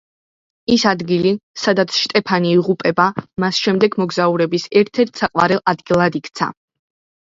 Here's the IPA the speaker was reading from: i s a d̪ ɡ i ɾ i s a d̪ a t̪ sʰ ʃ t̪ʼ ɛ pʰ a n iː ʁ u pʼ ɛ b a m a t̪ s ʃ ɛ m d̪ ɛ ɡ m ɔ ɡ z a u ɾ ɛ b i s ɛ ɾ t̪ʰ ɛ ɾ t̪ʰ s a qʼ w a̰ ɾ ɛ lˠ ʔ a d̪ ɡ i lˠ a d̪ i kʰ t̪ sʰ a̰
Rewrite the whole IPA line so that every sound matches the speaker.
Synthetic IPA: i s a d̪ ɡ i l i s a d̪ a t̪ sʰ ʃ t̪ʼ ɛ pʰ a n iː ʁ u pʼ ɛ b a m a s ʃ ɛ m d̪ ɛ ɡ m ɔ ɡ z a u ɾ ɛ b i s ɛ ɾ t̪ʰ ɛ ɾ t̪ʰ s a qʼ w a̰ ɾ ɛ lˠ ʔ a d̪ ɡ i lˠ a d̪ i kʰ t̪ sʰ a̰